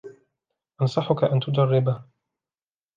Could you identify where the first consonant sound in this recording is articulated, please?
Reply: glottal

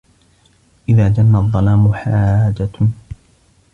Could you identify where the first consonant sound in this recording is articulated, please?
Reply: glottal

